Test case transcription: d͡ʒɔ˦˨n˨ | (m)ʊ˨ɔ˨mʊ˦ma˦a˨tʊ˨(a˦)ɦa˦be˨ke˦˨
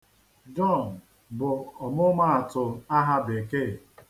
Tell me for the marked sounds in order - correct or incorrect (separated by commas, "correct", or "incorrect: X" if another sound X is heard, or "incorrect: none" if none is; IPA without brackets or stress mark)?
incorrect: b, correct